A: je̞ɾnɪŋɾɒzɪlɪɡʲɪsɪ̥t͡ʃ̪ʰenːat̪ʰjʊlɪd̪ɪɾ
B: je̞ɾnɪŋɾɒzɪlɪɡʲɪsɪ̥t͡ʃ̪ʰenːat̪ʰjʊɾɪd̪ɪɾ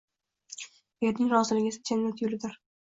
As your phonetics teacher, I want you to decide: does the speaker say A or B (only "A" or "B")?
A